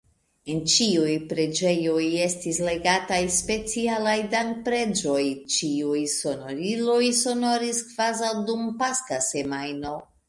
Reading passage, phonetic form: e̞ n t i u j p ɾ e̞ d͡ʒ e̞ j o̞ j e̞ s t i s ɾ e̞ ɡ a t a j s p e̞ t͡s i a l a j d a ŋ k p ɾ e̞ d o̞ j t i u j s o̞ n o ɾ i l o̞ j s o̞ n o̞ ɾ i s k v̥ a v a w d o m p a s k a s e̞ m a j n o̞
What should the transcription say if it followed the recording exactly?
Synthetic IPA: e̞ n t͡ʃ i u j p ɾ e̞ d͡ʒ e̞ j o̞ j e̞ s t i s l e̞ ɡ a t a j s p e̞ t͡s i a l a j d a ŋ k p ɾ e̞ d͡ʒ o̞ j t͡ʃ i u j s o̞ n o ɾ i l o̞ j s o̞ n o̞ ɾ i s k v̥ a z a w d u m p a s k a s e̞ m a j n o̞